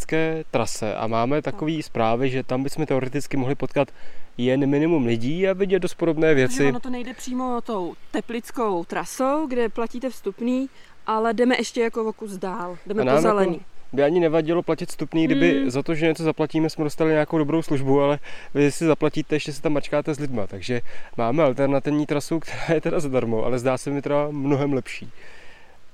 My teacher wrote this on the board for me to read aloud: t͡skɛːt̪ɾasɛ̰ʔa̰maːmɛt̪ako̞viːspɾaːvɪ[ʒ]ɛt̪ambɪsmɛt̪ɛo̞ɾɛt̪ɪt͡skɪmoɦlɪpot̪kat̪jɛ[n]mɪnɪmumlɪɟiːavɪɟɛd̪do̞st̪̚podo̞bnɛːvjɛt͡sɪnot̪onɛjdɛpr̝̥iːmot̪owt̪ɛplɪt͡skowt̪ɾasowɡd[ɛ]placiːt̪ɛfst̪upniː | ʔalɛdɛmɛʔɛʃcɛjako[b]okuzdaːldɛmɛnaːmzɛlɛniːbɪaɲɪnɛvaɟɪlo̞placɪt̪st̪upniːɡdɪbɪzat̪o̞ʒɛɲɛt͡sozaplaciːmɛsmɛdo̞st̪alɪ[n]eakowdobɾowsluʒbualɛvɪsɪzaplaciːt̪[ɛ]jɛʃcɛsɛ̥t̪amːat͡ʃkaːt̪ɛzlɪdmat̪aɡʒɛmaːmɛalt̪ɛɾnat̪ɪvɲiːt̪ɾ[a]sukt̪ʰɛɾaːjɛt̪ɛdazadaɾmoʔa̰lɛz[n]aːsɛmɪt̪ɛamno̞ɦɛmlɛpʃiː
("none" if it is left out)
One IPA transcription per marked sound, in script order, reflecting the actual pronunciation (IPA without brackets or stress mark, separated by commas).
ʒ, n, ɛ, v, ɲ, ɛ, a, d